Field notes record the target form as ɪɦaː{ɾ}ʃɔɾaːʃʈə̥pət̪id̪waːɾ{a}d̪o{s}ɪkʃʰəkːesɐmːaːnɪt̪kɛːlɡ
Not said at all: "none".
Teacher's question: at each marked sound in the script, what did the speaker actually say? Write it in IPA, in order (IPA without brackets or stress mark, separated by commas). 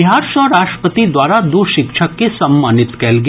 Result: ɾ, a, ʃ